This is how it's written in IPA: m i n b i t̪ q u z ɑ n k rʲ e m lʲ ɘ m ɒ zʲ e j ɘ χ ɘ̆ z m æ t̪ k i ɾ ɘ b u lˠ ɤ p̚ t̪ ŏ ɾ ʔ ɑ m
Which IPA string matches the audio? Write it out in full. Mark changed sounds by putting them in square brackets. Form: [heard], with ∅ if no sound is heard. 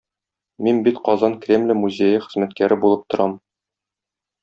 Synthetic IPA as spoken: m i n b i t̪ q [ɒ] z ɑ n k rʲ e m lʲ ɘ m [u] zʲ e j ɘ χ ɘ̆ z m æ t̪ k [æ] ɾ ɘ b u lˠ ɤ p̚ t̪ ŏ ɾ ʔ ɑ m